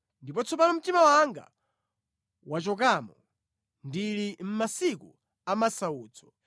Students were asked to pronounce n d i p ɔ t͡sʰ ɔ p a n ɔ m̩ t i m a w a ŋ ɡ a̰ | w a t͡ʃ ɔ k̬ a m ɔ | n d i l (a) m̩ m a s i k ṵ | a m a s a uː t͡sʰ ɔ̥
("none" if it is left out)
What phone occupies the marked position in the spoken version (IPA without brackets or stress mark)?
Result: i